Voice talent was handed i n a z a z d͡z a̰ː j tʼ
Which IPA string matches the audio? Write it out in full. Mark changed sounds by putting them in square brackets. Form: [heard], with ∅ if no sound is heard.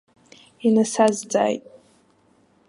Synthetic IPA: i n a [s] a z d͡z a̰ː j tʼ